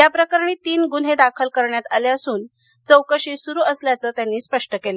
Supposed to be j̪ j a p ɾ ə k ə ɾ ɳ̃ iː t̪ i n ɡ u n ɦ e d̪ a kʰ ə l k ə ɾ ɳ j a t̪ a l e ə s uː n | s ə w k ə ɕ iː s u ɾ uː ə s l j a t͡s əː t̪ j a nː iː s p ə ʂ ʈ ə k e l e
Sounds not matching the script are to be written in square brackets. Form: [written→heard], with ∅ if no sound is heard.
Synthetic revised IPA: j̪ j a p ɾ ə k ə ɾ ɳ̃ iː t̪ [i→iː] n ɡ u n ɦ e d̪ a kʰ ə l k ə ɾ ɳ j a t̪ a l e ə s uː n | [s→t͡s] ə w k ə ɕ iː s u ɾ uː ə s l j a t͡s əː t̪ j a nː iː s p ə ʂ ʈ ə k e l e